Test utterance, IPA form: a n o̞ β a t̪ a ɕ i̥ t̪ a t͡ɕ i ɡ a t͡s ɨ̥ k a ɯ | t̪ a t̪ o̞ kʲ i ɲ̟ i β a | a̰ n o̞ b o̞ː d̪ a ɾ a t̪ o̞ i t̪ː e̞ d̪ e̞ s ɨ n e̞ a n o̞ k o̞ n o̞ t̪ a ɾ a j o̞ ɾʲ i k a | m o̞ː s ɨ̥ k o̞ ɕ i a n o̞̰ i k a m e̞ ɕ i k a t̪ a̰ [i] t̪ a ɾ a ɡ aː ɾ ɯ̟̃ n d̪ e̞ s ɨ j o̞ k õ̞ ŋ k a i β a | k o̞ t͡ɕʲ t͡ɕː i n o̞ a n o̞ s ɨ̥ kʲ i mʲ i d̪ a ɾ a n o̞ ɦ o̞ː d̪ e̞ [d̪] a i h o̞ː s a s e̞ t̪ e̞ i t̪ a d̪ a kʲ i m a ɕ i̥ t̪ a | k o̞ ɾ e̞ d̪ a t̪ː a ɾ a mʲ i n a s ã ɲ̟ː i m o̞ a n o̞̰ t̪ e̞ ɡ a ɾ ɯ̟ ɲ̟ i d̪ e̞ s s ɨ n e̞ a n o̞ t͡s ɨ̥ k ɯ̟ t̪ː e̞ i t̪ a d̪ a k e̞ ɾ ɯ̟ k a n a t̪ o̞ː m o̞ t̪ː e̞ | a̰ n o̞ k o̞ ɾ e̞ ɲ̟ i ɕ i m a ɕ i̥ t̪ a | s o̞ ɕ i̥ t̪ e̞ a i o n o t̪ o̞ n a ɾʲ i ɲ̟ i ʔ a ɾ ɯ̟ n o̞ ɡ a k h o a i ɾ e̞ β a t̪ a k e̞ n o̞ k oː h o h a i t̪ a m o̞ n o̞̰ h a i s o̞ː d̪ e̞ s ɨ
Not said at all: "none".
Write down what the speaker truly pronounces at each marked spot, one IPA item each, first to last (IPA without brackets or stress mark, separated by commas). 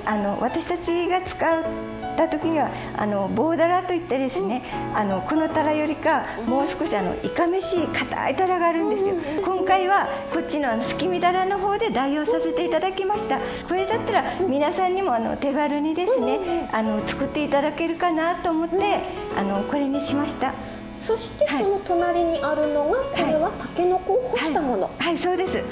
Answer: i, d̪